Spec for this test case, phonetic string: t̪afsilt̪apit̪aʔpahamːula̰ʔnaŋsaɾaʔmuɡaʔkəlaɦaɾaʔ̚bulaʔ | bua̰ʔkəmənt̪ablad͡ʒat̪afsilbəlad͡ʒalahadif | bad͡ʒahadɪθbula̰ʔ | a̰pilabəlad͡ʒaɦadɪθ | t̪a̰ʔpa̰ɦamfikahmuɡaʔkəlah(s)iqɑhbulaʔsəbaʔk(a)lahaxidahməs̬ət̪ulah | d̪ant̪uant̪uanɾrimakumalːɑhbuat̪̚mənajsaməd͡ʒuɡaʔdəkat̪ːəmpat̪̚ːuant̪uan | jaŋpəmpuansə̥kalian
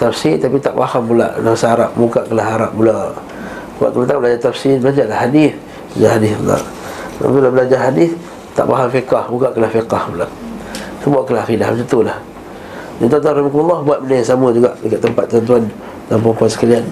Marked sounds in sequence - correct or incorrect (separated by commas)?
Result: incorrect, incorrect